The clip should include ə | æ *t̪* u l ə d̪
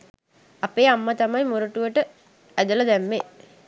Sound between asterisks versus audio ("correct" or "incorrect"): incorrect